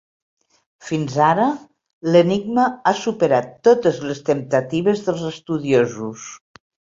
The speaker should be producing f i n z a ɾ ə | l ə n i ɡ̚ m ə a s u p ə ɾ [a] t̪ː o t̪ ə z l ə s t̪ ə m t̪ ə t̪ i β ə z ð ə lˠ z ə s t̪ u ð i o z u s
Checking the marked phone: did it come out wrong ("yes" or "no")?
no